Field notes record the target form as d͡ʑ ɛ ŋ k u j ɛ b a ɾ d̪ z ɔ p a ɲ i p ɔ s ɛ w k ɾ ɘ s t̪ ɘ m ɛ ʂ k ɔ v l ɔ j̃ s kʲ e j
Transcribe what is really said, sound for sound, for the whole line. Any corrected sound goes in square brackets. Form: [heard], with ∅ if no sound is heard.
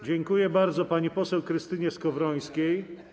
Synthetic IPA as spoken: d͡ʑ ɛ ŋ k u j ɛ b a ɾ d̪ z ɔ p a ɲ i p ɔ s ɛ w k ɾ ɘ s t̪ ɘ [ɲ] ɛ [s] k ɔ v [ɾ] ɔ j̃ s kʲ e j